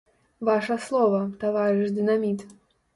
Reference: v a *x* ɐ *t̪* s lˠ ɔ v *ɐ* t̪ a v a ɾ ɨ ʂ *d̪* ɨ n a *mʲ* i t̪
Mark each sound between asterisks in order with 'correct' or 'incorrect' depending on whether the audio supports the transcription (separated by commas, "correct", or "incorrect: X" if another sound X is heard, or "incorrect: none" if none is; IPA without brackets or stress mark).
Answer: incorrect: ʂ, incorrect: none, correct, correct, correct